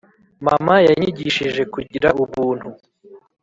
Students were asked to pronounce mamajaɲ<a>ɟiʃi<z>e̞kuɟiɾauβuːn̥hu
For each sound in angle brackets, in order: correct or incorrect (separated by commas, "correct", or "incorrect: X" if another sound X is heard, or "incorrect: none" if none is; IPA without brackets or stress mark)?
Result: incorrect: i, incorrect: ʒ